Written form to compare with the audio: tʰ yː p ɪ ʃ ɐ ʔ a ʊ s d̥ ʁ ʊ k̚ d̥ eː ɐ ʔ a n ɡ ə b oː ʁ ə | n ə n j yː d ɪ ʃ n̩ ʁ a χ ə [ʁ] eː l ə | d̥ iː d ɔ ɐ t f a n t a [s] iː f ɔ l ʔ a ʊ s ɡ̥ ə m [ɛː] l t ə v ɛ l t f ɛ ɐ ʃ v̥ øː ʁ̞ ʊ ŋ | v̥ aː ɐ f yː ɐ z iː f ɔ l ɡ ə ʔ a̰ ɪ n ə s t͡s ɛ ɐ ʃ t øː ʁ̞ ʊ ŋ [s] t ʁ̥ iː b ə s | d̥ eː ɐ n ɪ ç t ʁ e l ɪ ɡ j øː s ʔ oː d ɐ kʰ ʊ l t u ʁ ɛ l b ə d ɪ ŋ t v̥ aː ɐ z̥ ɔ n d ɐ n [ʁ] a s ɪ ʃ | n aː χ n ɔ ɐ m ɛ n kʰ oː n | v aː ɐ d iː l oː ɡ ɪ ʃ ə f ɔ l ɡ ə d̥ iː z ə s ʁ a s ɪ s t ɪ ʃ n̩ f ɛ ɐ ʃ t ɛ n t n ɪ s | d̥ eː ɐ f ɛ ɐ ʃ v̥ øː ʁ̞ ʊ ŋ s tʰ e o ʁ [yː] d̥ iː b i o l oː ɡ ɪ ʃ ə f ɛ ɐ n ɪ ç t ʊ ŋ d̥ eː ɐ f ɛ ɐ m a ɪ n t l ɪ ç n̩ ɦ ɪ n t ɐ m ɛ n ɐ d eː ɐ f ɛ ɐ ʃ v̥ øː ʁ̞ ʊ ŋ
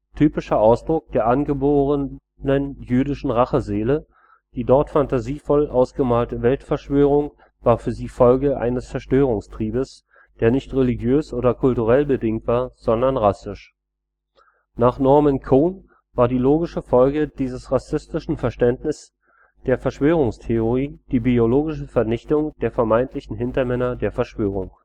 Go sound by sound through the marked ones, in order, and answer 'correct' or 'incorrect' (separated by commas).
incorrect, incorrect, incorrect, correct, correct, incorrect